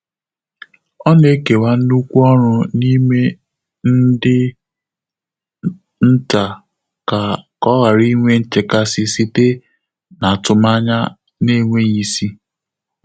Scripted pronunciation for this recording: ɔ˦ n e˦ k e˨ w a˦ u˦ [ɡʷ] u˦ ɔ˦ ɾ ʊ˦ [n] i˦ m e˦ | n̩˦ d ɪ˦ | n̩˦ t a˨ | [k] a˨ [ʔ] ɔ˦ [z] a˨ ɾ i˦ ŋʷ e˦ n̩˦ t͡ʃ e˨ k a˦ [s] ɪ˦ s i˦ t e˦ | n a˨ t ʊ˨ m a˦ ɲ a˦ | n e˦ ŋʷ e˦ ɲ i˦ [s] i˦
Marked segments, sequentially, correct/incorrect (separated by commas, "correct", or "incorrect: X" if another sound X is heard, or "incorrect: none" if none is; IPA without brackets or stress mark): incorrect: kʷ, correct, correct, incorrect: k, incorrect: ɣ, correct, correct